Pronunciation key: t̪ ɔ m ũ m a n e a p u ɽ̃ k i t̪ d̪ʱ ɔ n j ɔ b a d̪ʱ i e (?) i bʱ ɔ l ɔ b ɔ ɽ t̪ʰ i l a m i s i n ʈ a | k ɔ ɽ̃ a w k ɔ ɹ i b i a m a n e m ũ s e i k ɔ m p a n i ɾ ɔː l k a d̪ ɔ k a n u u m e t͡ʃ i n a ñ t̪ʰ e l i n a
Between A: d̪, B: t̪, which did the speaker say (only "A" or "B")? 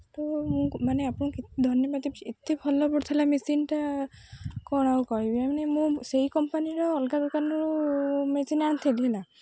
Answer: B